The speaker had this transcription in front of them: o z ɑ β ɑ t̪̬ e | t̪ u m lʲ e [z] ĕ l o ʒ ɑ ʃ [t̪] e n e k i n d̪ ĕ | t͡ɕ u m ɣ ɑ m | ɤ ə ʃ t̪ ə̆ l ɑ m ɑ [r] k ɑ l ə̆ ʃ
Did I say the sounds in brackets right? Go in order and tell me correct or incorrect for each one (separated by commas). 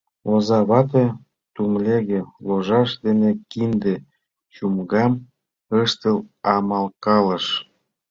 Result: incorrect, incorrect, incorrect